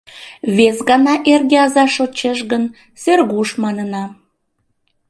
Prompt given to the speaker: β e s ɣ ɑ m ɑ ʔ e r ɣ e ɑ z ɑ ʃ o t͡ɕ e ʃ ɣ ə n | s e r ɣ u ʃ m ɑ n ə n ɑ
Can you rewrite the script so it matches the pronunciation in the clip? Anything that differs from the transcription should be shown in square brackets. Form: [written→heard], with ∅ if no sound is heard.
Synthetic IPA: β e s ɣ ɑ [m→n] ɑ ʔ e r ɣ e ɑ z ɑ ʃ o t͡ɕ e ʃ ɣ ə n | s e r ɣ u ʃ m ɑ n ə n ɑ